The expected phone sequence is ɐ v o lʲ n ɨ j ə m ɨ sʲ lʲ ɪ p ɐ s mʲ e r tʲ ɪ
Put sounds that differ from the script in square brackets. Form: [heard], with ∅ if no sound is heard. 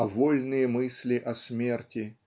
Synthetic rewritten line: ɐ v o lʲ n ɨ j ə m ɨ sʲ lʲ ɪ [ʔ] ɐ s mʲ e r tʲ ɪ